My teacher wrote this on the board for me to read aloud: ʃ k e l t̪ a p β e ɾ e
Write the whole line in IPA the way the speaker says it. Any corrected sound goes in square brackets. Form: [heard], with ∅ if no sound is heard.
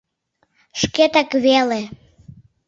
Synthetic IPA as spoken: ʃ k e [∅] t̪ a [k] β e [l] e